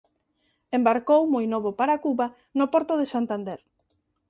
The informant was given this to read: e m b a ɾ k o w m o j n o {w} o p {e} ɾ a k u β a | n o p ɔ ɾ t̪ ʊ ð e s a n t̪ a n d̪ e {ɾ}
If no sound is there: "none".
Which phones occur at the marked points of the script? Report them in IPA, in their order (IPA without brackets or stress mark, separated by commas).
β, a, ɾ